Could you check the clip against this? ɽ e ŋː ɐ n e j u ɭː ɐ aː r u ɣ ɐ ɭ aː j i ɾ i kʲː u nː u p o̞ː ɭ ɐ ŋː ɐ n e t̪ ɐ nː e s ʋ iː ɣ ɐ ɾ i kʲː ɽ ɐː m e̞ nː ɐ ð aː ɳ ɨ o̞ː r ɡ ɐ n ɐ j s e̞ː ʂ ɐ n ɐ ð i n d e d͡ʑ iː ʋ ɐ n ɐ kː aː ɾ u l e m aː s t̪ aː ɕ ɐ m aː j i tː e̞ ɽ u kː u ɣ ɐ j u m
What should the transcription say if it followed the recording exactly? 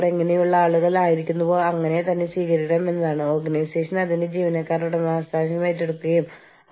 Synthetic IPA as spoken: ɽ e ŋː ɐ n e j u ɭː ɐ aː ɭ u ɣ ɐ ɭ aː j i ɾ i kʲː u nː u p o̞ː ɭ ɐ ŋː ɐ n e t̪ ɐ nː e s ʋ iː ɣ ɐ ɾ i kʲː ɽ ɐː m e̞ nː ɐ ð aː ɳ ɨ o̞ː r ɡ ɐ n ɐ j s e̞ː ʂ ɐ n ɐ ð i n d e d͡ʑ iː ʋ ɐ n ɐ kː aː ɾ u ɽ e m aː s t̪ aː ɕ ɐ m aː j i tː e̞ ɽ u kː u ɣ ɐ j u m